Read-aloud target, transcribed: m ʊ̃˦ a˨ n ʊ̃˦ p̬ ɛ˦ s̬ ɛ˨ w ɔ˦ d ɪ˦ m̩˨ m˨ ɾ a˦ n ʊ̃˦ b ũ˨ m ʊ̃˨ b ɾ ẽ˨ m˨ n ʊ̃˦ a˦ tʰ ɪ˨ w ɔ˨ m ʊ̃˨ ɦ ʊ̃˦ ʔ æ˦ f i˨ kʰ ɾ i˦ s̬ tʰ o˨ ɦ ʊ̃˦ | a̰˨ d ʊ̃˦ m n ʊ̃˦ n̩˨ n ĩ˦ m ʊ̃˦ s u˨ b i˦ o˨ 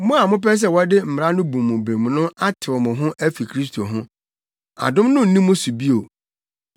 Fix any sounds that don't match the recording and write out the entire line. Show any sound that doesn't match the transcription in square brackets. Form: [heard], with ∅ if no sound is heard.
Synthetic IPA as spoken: m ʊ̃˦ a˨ [m] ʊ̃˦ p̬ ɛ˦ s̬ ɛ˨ w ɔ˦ d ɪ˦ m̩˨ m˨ ɾ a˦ n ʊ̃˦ b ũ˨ m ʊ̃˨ b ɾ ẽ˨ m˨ n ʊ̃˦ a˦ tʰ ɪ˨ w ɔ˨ m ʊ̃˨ ɦ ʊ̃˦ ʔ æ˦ f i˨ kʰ ɾ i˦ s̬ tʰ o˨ ɦ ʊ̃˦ | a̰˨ d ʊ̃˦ m n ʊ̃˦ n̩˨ n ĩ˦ m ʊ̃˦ s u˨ b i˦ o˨